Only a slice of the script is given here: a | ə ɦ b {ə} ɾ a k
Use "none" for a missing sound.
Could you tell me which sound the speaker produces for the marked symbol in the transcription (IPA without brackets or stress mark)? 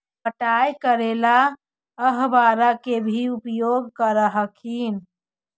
a